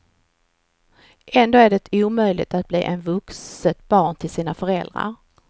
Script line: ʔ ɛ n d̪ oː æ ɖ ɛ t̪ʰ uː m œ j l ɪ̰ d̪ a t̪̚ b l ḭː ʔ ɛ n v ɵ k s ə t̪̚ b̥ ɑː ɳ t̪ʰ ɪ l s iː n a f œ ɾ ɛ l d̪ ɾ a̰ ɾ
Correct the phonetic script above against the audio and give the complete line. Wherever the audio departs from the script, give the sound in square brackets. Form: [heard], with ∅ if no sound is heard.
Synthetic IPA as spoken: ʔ ɛ n d̪ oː æ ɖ ɛ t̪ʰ uː m œ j l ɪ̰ [t̪] a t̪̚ b l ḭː ʔ ɛ n v ɵ k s ə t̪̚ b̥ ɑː ɳ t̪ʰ ɪ l s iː n a f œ ɾ ɛ l d̪ ɾ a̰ ɾ